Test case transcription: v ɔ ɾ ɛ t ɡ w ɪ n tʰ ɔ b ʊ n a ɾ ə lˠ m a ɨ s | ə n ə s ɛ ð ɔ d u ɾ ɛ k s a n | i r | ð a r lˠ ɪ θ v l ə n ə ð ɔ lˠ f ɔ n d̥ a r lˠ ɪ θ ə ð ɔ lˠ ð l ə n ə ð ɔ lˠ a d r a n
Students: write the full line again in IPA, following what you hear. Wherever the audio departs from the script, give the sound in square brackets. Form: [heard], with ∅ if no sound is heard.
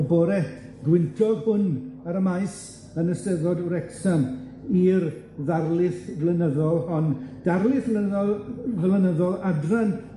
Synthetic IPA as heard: [b] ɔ ɾ ɛ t ɡ w ɪ n tʰ ɔ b ʊ n a ɾ ə [∅] m a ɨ s | ə n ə s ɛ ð ɔ d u ɾ ɛ k s a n | i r | ð a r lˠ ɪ θ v l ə n ə ð ɔ lˠ [h] ɔ n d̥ a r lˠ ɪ θ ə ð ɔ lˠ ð l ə n ə ð ɔ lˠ a d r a n